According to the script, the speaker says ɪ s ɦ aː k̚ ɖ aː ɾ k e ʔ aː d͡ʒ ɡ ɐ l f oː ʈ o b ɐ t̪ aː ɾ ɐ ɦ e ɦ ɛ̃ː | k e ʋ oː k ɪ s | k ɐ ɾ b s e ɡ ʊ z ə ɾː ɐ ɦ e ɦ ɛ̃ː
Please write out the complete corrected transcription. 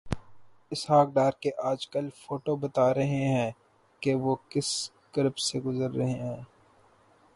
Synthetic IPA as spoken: ɪ s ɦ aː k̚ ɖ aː ɾ k e ʔ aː d͡ʒ k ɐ l f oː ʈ o b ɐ t̪ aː ɾ ɐ ɦ e ɦ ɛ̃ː | k e ʋ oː k ɪ s | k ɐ ɾ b s e ɡ ʊ z ə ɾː ɐ ɦ e ɦ ɛ̃ː